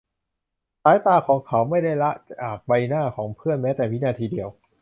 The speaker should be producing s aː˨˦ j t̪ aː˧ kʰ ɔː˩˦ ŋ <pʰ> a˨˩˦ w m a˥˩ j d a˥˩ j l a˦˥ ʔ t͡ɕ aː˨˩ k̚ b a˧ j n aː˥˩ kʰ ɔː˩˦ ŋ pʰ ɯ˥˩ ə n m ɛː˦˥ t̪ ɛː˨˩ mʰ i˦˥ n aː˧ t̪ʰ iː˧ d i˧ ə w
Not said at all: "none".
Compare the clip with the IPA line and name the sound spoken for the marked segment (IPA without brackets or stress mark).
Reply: kʰ